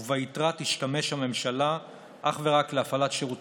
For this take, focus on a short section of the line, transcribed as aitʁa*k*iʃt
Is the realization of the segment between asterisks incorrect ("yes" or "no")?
yes